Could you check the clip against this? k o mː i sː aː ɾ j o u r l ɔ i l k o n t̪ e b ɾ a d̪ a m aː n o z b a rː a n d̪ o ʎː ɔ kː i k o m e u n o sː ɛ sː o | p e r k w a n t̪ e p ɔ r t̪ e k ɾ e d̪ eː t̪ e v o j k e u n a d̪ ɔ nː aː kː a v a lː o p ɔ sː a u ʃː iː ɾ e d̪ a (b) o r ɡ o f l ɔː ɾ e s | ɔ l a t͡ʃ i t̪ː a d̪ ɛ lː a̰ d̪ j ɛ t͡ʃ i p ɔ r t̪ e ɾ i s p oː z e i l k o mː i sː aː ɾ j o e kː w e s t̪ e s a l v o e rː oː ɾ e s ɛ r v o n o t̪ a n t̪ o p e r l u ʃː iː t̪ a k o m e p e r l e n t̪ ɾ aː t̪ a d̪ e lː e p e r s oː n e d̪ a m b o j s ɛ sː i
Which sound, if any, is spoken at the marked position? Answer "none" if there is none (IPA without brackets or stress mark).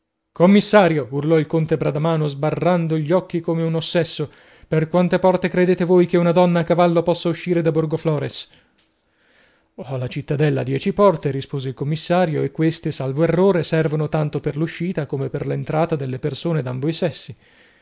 b